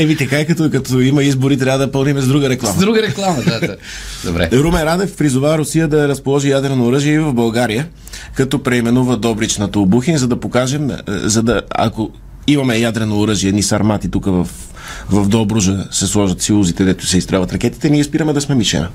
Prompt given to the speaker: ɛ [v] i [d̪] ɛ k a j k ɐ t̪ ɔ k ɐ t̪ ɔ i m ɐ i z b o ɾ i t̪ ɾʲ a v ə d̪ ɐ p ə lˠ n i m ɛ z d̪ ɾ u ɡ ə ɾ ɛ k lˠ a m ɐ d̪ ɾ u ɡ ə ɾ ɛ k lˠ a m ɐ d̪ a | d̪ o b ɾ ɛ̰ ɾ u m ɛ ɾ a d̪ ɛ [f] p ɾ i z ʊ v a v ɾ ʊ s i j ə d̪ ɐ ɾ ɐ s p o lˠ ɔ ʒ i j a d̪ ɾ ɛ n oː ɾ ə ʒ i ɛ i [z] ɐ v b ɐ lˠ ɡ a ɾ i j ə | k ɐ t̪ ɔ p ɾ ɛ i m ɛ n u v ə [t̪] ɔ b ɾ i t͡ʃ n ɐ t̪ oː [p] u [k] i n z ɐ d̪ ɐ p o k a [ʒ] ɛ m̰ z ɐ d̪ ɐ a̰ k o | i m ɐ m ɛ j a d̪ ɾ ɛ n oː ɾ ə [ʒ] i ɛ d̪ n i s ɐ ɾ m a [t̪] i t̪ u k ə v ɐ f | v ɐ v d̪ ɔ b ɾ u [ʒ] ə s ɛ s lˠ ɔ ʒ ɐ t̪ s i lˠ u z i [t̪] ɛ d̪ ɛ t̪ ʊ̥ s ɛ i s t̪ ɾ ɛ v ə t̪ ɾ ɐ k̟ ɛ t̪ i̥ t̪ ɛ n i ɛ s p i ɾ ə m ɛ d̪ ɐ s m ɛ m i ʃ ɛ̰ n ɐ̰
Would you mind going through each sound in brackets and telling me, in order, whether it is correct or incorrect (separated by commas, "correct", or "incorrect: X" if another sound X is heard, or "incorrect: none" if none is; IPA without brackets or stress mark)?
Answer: correct, incorrect: t̪, correct, incorrect: v, incorrect: d̪, incorrect: b, incorrect: x, correct, correct, correct, correct, correct